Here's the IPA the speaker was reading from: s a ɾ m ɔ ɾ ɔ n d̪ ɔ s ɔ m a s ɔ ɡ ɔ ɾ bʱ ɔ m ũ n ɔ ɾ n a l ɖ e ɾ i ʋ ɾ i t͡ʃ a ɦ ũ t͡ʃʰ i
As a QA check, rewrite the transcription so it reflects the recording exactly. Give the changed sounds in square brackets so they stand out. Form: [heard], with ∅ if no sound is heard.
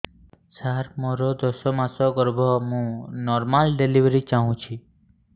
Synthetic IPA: s a ɾ m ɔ ɾ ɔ [∅] d̪ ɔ s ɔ m a s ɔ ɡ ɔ ɾ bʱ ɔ m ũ n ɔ ɾ [m] a l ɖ e [l] i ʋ ɾ i t͡ʃ a ɦ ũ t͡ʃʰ i